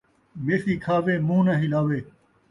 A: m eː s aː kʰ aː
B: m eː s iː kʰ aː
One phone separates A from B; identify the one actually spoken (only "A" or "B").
B